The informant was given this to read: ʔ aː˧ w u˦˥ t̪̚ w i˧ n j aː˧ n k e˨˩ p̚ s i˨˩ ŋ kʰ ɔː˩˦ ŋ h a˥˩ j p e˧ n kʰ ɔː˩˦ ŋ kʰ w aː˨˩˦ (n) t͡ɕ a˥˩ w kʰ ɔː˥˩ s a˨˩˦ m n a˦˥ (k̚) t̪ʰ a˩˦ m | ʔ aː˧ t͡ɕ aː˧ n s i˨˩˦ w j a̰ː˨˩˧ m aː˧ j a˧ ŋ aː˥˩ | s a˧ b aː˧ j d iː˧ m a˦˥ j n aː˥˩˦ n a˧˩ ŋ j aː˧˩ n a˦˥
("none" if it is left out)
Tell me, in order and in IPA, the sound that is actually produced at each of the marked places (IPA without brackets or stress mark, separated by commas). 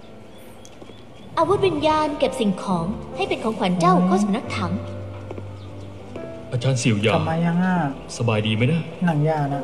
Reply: n, k̚